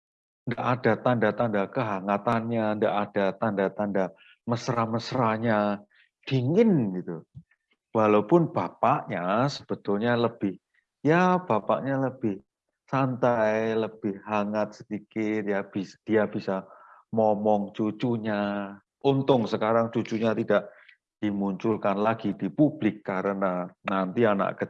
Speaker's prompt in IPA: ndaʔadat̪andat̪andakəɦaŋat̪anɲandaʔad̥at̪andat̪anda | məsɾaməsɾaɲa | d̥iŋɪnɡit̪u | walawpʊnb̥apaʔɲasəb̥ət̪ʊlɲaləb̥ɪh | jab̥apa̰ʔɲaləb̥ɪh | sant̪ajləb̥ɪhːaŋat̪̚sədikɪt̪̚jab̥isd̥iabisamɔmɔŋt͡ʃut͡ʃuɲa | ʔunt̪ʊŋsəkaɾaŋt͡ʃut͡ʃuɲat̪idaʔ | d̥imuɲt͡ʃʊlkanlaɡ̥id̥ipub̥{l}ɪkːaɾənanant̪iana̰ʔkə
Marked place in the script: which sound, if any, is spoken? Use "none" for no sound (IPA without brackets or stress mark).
l